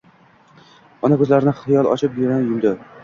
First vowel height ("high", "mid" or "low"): low